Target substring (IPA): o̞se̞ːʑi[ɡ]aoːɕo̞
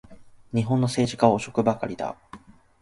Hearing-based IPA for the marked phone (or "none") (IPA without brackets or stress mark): k